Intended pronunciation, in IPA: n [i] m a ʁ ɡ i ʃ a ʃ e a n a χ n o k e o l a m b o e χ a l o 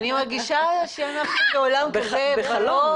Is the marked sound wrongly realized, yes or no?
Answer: no